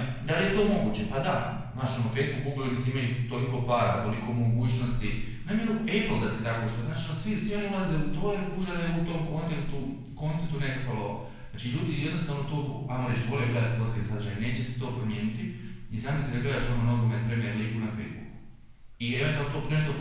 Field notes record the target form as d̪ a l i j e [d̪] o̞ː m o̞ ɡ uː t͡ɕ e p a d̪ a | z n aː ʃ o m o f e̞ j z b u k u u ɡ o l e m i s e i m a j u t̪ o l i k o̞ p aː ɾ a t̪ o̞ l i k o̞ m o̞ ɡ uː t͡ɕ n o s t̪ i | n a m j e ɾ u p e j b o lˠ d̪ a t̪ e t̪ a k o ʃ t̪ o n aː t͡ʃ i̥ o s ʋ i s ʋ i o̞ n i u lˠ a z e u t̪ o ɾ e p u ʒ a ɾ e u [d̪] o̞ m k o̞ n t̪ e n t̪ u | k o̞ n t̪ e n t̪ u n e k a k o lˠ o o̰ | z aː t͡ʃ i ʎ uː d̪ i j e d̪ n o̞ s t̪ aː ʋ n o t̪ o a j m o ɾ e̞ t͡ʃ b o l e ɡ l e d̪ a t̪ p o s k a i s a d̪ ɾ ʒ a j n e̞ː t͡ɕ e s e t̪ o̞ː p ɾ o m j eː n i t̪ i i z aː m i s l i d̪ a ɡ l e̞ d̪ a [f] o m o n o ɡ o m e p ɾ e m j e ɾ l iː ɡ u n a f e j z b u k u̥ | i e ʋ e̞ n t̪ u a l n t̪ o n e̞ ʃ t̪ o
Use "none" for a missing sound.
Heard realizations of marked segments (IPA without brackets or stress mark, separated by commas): t̪, t̪, ʃ